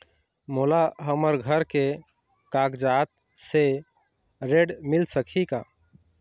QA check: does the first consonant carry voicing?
yes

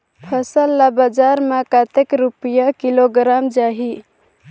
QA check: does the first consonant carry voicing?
no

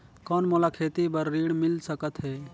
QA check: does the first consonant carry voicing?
no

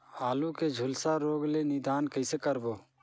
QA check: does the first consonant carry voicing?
yes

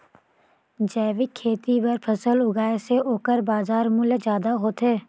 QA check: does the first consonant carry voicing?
yes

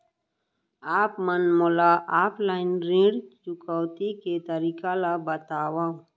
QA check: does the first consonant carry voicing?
no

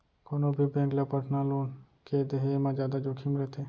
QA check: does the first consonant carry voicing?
no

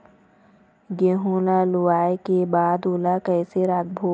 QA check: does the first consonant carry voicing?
yes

